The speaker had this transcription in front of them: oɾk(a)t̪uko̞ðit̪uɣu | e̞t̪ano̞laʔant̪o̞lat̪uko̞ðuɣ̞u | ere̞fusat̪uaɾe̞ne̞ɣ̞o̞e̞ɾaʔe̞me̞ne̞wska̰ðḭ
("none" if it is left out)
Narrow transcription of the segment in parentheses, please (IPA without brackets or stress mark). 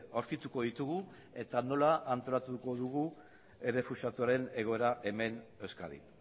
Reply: i